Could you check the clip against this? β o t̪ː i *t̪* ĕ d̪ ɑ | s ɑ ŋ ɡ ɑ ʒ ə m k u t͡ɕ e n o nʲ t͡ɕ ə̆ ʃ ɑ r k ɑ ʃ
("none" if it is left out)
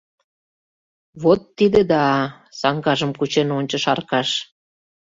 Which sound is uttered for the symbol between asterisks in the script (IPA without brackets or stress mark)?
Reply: d̪